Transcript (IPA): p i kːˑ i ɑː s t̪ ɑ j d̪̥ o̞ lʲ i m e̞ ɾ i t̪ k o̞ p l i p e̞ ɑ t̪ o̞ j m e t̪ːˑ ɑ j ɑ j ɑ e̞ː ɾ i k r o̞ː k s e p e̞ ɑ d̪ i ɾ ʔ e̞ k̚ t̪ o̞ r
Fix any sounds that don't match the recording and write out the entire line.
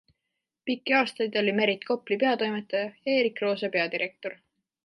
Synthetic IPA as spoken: p i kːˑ i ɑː s t̪ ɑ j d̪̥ o̞ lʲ i m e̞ ɾ i t̪ k o̞ p l i p e̞ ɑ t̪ o̞ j m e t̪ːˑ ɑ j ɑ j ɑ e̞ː ɾ i k r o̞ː s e p e̞ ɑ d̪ i ɾ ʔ e̞ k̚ t̪ o̞ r